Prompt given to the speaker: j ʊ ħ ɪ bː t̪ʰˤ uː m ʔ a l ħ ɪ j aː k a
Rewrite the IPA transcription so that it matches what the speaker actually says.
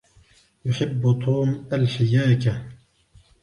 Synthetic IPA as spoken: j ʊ ħ ɪ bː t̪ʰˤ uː m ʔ a l ħ ɪ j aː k a